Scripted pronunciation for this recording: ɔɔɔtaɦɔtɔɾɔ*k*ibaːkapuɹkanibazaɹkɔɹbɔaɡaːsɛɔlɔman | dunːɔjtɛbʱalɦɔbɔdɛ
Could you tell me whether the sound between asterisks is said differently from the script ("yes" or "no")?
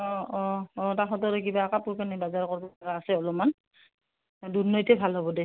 no